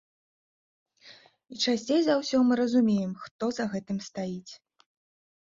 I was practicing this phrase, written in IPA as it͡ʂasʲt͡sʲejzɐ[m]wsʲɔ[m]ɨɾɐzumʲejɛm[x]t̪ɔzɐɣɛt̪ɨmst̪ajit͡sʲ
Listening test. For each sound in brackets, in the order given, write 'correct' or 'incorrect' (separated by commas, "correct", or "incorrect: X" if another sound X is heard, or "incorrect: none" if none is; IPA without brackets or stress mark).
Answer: incorrect: none, correct, correct